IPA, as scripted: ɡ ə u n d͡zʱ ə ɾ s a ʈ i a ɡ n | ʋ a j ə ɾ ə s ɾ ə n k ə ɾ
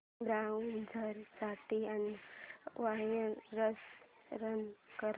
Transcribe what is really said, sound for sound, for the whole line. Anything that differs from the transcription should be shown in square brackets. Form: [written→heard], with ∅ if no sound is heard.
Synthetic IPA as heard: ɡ [ə→a] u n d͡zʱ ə ɾ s a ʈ i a [ɡ→∅] n | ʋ a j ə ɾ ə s ɾ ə n k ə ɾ